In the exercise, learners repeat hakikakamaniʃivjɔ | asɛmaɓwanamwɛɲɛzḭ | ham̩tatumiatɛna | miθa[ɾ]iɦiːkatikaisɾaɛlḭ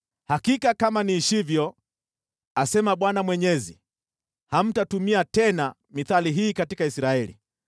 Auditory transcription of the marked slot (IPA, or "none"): l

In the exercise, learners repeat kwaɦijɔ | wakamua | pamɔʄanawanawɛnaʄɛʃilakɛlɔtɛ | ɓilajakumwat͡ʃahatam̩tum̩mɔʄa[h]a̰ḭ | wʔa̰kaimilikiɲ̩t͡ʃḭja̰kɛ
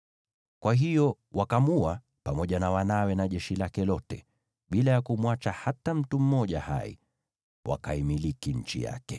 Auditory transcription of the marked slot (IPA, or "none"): h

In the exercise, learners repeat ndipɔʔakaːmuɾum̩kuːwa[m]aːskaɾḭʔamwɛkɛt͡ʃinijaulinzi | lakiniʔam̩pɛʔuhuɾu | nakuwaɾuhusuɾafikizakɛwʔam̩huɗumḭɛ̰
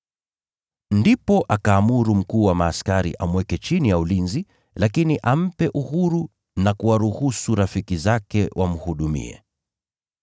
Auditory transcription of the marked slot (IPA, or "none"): m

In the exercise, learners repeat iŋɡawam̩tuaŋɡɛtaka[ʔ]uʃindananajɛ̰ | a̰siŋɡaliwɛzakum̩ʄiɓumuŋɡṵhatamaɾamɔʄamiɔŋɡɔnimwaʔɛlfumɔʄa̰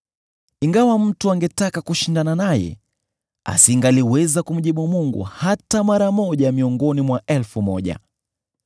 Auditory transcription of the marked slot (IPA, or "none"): k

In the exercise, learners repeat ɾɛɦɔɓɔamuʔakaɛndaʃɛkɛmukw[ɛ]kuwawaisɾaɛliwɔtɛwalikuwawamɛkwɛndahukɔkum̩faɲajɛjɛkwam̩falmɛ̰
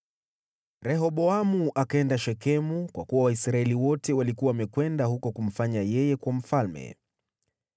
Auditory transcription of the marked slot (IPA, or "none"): a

